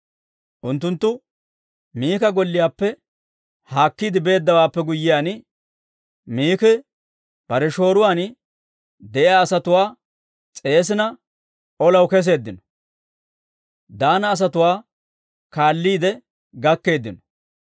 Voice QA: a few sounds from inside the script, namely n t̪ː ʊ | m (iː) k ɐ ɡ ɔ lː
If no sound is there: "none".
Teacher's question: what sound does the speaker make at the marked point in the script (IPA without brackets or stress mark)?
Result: iː